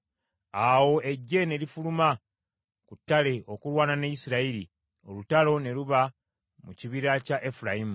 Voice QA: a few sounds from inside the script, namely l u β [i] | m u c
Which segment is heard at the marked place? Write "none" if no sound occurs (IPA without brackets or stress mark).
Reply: a